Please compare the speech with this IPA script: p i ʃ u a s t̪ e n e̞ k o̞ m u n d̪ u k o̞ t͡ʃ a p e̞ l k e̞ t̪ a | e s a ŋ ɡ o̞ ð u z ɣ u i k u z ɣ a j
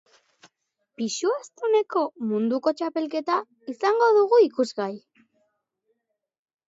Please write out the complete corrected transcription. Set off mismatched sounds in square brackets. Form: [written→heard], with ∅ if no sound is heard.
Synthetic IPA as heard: p i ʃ u a s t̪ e n e̞ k o̞ m u n d̪ u k o̞ t͡ʃ a p e̞ l k e̞ t̪ a | [e→i] s a ŋ ɡ o̞ ð u [z→∅] ɣ u i k u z ɣ a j